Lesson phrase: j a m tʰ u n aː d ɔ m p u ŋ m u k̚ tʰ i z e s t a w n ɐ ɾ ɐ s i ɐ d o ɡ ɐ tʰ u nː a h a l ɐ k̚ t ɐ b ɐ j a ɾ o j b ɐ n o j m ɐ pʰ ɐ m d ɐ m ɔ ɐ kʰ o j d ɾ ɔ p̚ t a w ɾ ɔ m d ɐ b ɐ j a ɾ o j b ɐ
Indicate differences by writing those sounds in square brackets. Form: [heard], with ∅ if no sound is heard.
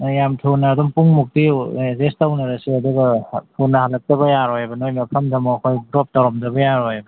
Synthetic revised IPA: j a m tʰ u n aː d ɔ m p u ŋ m u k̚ [t] i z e s t a w n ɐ ɾ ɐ s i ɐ d [u] ɡ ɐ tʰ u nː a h a l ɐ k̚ t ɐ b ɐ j a ɾ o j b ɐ n o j m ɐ pʰ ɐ m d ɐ m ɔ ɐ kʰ o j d ɾ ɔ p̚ t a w ɾ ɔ m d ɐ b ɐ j a ɾ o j b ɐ